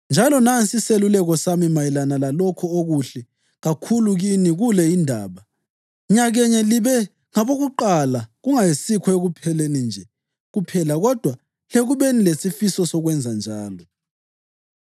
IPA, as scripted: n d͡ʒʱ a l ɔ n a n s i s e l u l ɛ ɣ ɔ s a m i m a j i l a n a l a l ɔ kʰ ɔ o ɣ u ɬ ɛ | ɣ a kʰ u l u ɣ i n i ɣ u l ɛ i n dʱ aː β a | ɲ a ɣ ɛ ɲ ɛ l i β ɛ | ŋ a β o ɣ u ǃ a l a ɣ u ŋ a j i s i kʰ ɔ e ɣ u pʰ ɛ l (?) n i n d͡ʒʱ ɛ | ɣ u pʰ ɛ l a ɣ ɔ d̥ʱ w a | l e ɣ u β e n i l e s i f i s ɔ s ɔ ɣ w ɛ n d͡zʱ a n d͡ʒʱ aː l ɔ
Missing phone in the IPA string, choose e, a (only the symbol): e